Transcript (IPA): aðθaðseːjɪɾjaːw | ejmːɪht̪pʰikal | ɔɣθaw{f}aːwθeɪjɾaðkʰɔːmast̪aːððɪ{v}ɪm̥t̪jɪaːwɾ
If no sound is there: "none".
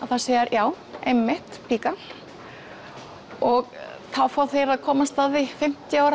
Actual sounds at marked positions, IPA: f, f

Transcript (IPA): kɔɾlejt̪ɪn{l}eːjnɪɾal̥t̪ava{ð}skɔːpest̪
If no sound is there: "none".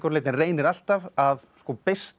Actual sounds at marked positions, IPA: r, ð

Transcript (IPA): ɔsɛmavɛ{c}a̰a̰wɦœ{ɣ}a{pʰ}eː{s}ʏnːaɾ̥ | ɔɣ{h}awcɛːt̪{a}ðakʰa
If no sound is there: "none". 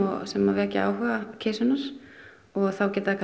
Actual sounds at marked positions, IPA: c, ɣ, cʰ, s, θ, a

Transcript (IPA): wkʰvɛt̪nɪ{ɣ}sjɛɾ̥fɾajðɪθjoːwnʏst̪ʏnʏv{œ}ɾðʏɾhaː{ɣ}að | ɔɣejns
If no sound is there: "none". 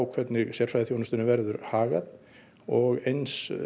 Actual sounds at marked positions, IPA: ɣ, ɛ, ɣ

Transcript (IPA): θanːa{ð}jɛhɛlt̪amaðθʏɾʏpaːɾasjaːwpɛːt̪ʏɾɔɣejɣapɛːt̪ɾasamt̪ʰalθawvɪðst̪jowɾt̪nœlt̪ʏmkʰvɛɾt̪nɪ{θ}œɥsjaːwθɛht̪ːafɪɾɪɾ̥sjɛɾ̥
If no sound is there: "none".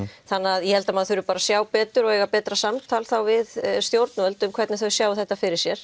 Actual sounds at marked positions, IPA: ð, θ

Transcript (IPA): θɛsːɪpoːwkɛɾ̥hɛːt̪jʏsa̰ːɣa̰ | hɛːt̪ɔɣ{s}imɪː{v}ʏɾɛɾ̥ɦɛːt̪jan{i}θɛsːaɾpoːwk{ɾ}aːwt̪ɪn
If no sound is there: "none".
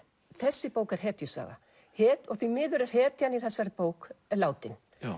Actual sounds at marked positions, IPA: θ, ð, i, l

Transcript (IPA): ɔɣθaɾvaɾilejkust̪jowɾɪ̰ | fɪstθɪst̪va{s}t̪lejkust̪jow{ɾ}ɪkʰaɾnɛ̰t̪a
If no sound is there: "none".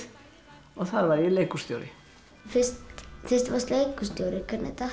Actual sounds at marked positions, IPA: s, ɾ

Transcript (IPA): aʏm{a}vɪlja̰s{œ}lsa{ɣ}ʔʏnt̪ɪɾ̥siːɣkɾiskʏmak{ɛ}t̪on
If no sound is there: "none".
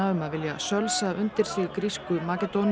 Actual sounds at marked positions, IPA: a, œ, none, ɛ

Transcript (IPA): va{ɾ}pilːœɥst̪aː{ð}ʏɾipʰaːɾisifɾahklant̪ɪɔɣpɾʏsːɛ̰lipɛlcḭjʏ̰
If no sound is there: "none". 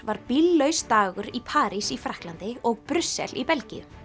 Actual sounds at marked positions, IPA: ɾ, ɣ

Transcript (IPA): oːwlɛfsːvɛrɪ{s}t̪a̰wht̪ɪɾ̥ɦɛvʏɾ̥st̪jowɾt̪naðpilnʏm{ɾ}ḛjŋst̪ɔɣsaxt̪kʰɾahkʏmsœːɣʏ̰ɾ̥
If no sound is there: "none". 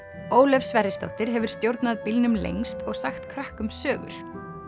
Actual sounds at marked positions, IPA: s, l

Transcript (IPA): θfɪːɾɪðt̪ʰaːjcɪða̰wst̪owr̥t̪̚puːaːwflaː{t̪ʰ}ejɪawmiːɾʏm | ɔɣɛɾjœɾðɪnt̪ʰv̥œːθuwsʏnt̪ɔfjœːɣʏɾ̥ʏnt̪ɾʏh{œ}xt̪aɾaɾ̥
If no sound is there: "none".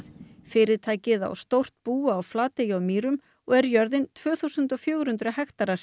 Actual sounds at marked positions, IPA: t̪, ɛ

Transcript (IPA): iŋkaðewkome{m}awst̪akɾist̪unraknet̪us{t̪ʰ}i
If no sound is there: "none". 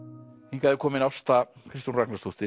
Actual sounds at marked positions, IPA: n, t̪

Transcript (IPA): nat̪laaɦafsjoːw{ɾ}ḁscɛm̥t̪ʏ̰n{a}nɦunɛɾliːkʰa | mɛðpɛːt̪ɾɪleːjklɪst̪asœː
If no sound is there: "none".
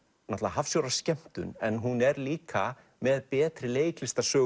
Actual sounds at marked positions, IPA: ɾ, ɛ

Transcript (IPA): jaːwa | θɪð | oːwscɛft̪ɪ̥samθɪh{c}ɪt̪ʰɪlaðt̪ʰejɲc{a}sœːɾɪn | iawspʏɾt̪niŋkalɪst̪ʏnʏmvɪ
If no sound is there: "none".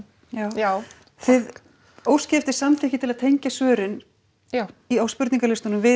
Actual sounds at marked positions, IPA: c, a

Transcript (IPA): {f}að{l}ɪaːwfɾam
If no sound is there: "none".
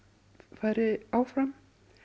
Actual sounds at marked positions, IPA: f, ɾ

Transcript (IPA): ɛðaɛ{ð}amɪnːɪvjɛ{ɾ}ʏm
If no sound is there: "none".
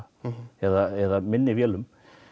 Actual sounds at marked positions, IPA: ð, l

